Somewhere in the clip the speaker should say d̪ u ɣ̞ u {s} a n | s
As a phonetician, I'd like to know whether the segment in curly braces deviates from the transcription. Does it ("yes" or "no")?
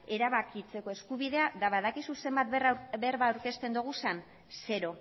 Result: no